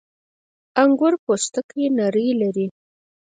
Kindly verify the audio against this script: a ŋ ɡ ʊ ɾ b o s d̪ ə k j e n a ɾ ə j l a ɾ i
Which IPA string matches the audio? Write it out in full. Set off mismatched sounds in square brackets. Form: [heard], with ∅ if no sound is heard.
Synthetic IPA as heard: a ŋ ɡ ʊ ɾ [p] o s [t̪] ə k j e n a ɾ ə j l a ɾ i